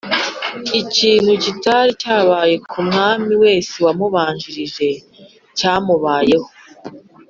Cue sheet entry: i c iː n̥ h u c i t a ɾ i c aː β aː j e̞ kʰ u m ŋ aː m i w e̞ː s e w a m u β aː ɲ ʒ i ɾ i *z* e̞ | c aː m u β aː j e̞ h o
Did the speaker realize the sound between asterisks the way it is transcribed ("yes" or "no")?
no